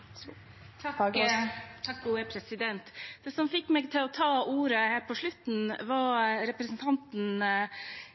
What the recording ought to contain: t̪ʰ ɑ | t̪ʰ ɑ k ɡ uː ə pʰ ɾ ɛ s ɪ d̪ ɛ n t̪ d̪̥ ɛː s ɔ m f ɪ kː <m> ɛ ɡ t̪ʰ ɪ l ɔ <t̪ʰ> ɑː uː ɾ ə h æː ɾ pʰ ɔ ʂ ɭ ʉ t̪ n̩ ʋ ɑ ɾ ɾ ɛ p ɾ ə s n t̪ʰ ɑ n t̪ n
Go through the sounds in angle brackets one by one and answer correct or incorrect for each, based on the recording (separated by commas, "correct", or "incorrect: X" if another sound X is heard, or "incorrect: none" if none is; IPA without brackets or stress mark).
correct, correct